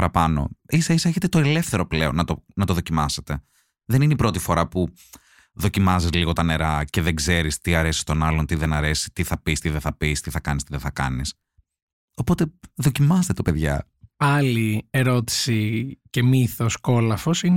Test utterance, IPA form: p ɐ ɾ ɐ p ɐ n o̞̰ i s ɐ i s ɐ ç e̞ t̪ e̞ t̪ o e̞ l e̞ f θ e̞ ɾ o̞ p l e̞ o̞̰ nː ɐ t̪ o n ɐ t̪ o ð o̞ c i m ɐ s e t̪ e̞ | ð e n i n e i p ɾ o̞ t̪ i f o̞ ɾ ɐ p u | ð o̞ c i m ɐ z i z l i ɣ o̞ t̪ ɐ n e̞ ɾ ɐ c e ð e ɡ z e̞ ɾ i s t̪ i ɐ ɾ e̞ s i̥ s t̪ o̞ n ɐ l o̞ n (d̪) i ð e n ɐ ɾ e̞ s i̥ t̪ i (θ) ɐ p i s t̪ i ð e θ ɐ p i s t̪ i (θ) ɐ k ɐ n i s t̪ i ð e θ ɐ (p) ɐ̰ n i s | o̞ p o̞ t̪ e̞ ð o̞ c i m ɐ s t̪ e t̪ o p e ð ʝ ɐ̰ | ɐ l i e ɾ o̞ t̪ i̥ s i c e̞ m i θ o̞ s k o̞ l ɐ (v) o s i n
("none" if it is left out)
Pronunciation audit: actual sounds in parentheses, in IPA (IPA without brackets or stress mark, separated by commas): t̪, θ, θ, k, f